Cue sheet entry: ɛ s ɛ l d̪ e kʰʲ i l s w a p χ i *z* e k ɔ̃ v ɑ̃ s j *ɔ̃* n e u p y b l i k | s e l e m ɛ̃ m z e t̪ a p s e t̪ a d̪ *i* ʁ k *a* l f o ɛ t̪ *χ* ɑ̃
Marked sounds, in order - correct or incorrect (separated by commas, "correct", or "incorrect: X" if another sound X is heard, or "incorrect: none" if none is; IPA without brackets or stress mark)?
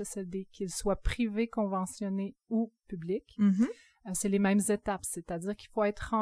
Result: incorrect: v, incorrect: ɔ, incorrect: iː, incorrect: i, correct